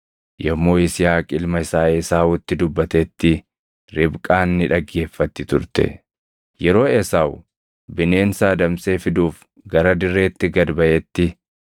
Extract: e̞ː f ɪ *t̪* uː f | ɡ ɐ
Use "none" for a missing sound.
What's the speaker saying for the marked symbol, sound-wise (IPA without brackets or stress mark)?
d̪